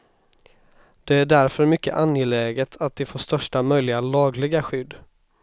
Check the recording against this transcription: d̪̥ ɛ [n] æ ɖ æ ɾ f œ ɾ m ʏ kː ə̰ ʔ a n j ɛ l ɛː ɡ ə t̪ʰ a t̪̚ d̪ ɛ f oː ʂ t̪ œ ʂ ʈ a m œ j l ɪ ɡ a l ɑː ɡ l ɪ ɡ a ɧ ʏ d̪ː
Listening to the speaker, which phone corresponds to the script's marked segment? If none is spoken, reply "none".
none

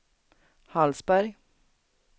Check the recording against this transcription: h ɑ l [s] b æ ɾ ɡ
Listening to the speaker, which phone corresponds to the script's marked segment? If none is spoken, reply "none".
s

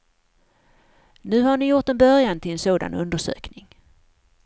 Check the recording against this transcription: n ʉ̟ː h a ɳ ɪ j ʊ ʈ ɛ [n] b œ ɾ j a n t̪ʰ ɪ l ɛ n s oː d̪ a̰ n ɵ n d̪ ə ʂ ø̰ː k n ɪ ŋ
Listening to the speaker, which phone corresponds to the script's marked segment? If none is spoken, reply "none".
n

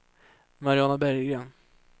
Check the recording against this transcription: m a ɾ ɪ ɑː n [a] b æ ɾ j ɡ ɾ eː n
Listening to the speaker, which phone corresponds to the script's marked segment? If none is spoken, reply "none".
a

